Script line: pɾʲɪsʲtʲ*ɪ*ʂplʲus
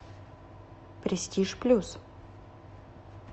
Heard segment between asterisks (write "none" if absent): i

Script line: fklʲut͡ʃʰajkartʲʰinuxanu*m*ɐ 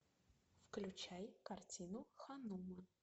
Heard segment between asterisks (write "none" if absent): m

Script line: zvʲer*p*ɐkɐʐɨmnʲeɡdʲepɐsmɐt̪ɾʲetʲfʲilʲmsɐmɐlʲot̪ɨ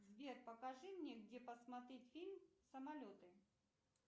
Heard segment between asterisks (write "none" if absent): p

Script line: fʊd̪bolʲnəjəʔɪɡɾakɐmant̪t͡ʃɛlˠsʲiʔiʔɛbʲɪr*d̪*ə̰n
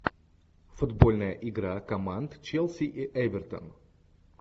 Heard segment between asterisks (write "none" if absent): t̪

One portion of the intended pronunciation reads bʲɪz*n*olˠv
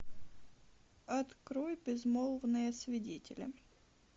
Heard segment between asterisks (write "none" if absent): m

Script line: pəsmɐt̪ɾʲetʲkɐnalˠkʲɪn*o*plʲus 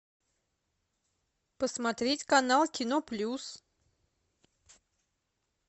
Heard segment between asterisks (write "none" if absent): o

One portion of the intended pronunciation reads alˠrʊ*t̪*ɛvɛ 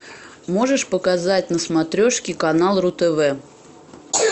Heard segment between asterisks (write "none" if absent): t̪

